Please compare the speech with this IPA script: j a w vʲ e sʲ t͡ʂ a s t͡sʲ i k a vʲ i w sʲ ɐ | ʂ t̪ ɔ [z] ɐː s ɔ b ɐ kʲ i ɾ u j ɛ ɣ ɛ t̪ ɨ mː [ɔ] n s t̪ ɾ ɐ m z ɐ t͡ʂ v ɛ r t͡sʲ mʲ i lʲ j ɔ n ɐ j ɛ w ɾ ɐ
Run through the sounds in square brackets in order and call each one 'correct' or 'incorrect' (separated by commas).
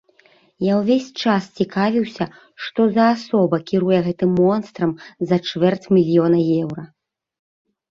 correct, correct